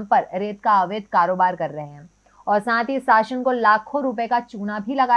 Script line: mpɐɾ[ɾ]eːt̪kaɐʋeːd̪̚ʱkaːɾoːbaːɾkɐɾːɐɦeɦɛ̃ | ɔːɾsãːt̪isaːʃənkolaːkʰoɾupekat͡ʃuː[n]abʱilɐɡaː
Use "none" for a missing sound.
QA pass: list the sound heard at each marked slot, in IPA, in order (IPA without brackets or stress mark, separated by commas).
ɾ, n